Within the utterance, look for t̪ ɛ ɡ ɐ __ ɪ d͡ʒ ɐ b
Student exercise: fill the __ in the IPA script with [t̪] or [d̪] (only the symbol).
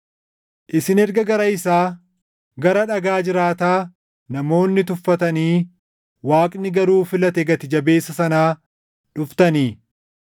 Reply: t̪